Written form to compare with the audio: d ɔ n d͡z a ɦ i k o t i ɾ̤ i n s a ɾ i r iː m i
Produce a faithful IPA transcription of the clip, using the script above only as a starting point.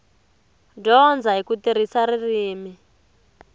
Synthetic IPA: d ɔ n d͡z a ɦ i k u t i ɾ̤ i s a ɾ i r iː m i